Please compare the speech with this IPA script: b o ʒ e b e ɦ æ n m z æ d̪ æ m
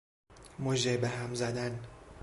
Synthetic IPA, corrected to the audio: m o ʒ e b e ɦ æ m z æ d̪ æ n